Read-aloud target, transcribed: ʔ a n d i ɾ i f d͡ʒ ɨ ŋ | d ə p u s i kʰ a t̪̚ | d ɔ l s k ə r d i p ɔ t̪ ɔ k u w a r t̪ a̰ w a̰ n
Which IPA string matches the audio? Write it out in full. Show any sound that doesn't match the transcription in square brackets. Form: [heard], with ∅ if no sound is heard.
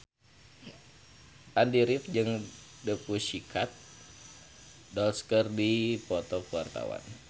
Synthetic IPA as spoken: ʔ a n d i ɾ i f d͡ʒ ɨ ŋ | d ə p u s i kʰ a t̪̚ | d ɔ l s k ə r d i p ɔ t̪ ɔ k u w a r t̪ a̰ w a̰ n